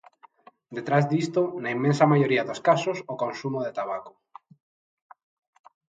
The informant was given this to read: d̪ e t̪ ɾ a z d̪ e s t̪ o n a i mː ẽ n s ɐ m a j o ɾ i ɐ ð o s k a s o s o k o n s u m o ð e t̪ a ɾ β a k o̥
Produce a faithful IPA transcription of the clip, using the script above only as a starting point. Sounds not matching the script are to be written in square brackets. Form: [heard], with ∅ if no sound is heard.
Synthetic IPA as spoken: d̪ e t̪ ɾ a z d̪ [i] s t̪ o n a i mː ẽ n s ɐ m a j o ɾ i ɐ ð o s k a s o s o k o n s u m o ð e t̪ a [∅] β a k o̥